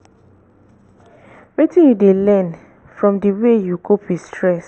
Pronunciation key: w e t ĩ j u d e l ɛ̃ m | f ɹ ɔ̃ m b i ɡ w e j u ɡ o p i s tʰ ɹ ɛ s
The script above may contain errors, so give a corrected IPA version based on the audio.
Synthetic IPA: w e t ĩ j u d e l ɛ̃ n | f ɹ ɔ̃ m d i w e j u ɡ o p i s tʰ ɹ ɛ s